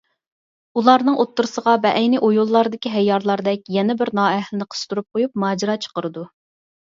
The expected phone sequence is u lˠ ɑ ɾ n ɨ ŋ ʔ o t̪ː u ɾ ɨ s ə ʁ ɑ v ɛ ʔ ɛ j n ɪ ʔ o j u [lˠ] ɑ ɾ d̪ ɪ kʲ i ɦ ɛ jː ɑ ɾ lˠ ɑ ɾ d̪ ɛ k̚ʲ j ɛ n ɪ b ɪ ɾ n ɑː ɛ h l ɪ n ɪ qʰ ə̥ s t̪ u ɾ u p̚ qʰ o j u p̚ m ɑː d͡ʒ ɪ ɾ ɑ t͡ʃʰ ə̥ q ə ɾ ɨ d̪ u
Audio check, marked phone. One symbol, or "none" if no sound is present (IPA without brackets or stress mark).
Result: lˠː